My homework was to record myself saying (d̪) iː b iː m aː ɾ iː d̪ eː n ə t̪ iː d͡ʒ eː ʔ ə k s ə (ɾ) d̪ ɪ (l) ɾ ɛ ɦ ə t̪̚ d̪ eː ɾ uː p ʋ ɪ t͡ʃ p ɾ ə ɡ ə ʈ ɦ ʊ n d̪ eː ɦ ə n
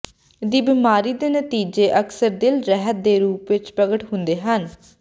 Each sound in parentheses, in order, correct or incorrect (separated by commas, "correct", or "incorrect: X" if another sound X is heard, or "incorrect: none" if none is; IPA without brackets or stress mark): correct, correct, correct